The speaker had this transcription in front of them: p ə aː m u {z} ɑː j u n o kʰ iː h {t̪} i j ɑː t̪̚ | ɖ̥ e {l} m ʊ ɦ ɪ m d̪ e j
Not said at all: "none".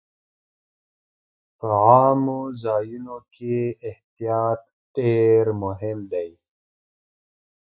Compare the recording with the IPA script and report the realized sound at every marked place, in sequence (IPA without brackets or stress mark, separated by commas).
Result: z, t̪, ɾ